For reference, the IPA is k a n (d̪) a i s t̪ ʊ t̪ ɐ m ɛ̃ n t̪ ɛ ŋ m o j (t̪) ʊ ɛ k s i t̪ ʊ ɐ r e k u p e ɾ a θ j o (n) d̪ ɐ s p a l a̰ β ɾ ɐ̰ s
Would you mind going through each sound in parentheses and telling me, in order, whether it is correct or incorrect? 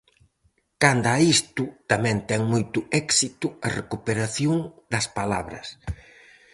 correct, correct, incorrect

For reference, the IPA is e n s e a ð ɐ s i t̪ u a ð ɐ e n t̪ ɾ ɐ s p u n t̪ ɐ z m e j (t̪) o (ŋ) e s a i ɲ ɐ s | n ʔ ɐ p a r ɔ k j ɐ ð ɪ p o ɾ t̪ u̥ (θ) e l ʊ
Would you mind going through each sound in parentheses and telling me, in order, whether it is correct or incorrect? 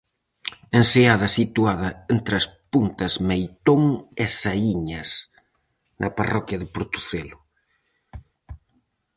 correct, correct, correct

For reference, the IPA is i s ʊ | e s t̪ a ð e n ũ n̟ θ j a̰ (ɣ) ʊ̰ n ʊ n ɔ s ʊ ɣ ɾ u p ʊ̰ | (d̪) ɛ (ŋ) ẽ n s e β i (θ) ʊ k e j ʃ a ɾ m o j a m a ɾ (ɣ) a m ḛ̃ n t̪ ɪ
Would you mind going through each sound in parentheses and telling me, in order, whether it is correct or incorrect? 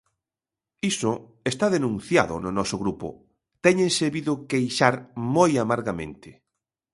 incorrect, incorrect, incorrect, incorrect, correct

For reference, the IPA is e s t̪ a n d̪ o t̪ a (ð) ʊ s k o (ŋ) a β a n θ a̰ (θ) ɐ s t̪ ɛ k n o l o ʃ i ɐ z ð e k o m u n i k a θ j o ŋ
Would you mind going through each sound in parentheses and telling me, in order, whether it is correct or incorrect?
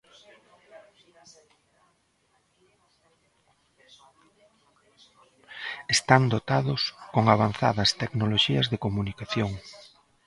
correct, correct, incorrect

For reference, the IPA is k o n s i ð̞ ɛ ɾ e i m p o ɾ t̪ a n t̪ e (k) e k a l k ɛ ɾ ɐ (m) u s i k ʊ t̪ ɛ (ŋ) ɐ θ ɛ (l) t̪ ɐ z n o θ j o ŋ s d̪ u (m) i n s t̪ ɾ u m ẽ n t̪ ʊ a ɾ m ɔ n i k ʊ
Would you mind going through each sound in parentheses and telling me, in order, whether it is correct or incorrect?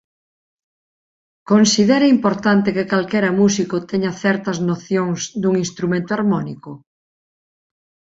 correct, correct, incorrect, incorrect, incorrect

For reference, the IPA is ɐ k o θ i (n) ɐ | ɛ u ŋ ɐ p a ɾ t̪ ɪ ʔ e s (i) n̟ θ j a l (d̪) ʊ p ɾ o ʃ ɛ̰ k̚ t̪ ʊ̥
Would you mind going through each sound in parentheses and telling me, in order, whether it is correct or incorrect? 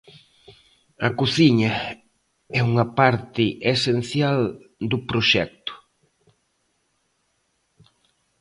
incorrect, incorrect, correct

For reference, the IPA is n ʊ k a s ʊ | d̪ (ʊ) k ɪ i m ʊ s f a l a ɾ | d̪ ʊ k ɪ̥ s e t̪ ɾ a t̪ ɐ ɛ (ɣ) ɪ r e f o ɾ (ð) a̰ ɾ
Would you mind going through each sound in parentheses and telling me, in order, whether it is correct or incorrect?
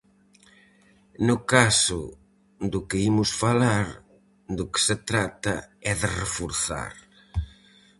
correct, incorrect, incorrect

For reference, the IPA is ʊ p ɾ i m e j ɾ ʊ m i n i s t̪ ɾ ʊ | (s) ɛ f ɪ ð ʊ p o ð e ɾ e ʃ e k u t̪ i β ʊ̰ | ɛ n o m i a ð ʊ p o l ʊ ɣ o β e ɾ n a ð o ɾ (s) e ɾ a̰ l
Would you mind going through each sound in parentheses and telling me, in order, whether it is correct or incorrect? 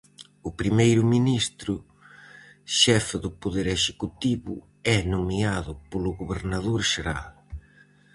incorrect, incorrect

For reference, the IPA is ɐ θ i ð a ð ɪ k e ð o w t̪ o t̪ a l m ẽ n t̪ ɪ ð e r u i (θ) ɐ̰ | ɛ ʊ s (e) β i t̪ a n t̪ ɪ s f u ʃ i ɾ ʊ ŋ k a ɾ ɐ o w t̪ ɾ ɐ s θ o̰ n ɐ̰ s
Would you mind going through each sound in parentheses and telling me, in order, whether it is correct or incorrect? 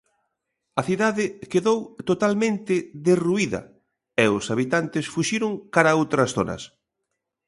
incorrect, incorrect

